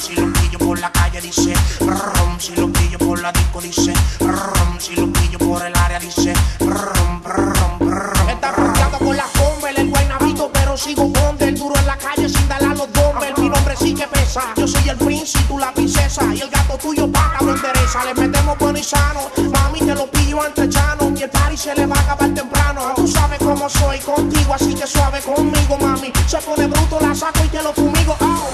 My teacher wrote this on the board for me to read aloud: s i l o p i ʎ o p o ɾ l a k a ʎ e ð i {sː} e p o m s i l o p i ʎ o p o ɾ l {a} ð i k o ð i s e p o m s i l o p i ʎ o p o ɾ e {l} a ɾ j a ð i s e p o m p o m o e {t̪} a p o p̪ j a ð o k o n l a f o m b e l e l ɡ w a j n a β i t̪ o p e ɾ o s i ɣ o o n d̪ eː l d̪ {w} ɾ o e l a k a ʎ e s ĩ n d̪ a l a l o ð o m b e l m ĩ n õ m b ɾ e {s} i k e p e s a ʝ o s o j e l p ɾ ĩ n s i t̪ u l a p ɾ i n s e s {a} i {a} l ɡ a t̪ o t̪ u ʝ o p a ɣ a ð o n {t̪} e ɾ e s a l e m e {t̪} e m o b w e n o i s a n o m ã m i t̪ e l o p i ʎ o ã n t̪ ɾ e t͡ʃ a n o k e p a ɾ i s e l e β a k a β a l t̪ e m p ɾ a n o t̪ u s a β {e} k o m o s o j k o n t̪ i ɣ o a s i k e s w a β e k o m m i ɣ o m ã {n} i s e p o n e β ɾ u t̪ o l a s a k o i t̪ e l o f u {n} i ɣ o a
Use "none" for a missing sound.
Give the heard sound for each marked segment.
s, a, l, t̪, u, s, a, e, d̪, t̪, e, m, m

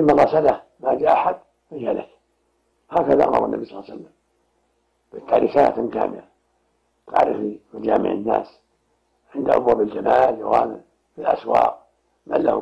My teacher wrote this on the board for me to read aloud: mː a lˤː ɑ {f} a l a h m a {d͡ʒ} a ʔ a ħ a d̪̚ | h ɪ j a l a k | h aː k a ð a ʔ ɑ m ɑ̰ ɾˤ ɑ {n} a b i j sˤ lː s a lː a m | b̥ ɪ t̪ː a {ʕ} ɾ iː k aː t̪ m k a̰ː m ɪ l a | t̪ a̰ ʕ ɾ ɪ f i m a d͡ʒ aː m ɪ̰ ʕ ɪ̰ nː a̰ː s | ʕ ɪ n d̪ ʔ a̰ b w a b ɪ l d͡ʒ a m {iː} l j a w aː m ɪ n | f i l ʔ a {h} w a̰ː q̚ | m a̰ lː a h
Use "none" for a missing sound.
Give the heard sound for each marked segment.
s, d͡ʒ, nː, ʕ, aː, s

